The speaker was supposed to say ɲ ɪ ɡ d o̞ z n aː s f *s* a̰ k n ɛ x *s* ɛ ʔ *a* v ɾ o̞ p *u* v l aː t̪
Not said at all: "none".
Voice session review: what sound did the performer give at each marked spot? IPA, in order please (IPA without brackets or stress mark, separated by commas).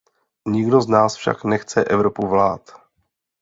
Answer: ʃ, t͡s, ɛ, u